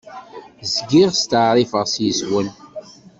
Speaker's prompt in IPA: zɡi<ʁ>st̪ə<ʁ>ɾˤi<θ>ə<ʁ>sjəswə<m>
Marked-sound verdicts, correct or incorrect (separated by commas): correct, incorrect, incorrect, correct, incorrect